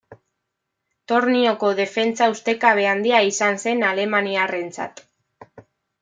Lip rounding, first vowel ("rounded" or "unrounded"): rounded